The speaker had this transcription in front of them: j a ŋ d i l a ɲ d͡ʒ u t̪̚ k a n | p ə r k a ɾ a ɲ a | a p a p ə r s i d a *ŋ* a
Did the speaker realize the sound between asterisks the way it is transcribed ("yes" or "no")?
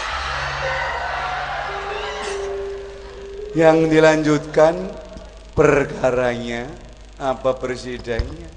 no